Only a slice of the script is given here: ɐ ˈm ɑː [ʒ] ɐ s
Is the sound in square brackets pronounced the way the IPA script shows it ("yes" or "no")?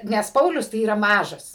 yes